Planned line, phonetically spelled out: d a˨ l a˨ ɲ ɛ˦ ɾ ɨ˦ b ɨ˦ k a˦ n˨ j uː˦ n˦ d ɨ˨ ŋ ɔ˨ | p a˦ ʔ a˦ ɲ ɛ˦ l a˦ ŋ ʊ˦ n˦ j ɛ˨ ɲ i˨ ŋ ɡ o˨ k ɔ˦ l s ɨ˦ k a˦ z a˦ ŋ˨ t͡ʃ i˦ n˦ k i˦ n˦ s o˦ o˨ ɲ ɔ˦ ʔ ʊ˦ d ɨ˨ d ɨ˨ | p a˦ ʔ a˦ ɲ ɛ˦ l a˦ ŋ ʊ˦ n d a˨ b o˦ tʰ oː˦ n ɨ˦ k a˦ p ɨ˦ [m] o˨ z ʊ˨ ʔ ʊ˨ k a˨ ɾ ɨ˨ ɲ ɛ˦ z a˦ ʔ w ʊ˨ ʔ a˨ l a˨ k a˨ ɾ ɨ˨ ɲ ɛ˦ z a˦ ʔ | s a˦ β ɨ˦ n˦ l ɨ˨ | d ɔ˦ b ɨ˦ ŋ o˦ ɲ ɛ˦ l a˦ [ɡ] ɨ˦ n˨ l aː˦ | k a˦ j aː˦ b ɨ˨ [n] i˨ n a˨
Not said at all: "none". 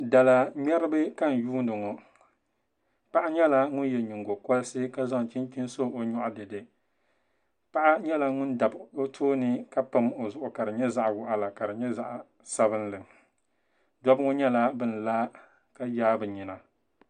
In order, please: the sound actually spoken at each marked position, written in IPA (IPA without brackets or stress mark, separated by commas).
m, b, ɲ